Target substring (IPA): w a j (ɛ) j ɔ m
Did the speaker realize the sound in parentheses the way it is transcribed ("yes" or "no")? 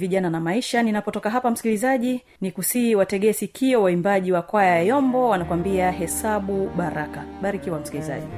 no